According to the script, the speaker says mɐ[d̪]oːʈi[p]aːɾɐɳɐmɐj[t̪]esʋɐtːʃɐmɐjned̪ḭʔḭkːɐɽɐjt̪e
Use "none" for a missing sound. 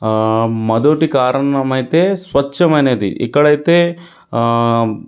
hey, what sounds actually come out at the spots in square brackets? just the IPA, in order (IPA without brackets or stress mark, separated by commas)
d̪, k, t̪